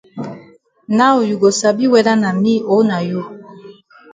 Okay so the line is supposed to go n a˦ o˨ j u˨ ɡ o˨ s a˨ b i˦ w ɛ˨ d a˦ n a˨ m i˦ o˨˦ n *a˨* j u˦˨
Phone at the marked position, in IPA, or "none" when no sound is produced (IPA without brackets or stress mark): a˨